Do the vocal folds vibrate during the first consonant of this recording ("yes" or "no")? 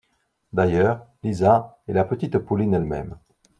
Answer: yes